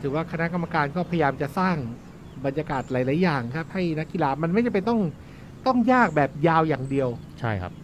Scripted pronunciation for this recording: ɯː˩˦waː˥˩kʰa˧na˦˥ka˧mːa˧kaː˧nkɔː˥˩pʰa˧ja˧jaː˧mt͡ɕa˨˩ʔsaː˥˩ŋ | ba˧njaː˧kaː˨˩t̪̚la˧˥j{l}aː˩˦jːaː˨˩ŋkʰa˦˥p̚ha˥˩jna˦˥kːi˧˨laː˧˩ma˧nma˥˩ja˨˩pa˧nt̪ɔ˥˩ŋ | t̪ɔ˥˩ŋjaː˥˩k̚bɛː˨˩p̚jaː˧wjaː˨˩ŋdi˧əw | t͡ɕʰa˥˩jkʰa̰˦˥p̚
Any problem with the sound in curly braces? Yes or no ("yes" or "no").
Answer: no